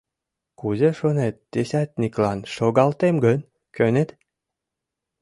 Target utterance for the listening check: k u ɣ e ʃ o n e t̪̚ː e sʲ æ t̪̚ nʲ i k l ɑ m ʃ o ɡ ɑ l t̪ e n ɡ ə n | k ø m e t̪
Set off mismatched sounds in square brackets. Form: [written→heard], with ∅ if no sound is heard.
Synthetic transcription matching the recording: k u [ɣ→z] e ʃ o n e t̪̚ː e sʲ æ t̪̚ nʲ i k l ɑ [m→n] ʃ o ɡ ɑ l t̪ e [n→m] ɡ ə n | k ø [m→n] e t̪